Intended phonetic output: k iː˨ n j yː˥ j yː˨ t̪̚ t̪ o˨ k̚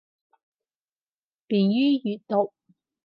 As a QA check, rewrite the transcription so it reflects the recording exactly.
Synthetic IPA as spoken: p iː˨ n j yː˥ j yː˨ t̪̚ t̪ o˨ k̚